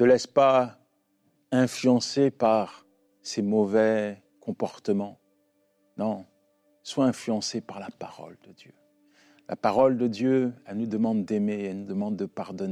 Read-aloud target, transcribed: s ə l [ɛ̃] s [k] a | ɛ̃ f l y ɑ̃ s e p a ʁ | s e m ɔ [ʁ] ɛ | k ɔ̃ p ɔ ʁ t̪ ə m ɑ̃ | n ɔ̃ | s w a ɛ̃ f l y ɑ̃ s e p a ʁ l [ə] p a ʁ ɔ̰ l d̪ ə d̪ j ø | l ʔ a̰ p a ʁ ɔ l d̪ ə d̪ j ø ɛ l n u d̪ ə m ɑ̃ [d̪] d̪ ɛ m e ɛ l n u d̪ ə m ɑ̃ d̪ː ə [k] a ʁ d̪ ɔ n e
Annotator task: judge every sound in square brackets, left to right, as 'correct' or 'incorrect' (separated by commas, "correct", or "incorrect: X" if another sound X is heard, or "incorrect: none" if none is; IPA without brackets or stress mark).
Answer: incorrect: ɛ, incorrect: p, incorrect: v, incorrect: a, correct, incorrect: p